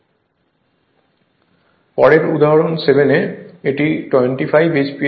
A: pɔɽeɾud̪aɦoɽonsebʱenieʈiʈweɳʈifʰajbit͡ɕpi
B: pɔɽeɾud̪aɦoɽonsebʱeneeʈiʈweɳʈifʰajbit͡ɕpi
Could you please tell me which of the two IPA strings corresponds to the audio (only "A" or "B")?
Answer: B